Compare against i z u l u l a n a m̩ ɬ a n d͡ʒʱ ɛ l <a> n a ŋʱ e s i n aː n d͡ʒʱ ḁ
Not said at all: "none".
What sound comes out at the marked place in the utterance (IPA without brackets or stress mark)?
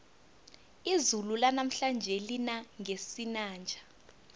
i